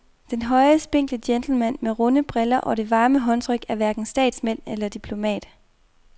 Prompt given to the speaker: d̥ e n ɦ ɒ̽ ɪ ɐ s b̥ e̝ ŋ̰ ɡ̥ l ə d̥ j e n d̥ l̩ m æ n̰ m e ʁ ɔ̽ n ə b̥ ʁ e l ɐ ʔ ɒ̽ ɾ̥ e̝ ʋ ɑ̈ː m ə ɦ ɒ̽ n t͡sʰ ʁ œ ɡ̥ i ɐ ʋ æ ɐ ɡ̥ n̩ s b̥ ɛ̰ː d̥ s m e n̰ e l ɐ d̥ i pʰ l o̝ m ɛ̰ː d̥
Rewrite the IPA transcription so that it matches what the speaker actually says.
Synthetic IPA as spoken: d̥ e n ɦ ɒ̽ ɪ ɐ s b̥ e̝ ŋ̰ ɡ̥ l ə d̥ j e n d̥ l̩ m æ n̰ m e ʁ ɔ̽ n ə b̥ ʁ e l ɐ ʔ ɒ̽ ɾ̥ e̝ ʋ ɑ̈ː m ə ɦ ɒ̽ n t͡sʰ ʁ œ ɡ̥ æ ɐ ʋ æ ɐ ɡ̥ n̩ s d̥ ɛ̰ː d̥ s m e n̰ e l ɐ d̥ i pʰ l o̝ m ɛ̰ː d̥